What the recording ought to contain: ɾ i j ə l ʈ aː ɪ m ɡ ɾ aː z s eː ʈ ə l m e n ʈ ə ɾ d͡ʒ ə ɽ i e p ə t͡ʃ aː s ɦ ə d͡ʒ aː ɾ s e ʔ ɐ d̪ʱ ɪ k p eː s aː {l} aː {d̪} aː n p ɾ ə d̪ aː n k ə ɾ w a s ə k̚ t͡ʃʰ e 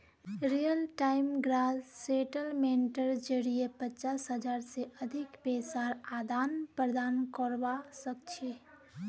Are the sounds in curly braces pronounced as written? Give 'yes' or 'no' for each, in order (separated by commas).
no, yes